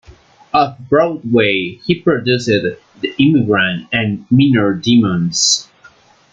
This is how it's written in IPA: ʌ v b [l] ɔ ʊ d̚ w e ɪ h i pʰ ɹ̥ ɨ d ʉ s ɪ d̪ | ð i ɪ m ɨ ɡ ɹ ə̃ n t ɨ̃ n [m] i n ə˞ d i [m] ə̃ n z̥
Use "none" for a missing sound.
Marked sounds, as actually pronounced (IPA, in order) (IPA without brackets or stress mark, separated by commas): ɹ, m, m